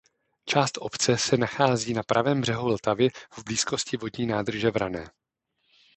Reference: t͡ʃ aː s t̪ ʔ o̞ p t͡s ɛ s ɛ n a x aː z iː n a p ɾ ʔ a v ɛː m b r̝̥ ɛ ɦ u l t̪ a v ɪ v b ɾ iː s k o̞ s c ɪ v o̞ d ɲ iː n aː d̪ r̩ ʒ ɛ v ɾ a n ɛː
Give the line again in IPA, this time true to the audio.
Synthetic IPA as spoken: t͡ʃ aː s t̪ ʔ o̞ p t͡s ɛ s ɛ n a x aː z iː n a p ɾ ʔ a v ɛː m b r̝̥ ɛ ɦ u l t̪ a v ɪ v b l iː s k o̞ s c ɪ v o̞ d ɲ iː n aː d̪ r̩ ʒ ɛ v ɾ a n ɛː